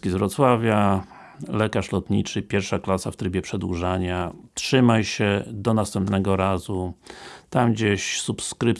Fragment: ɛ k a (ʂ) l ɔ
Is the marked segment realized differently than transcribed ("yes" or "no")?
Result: no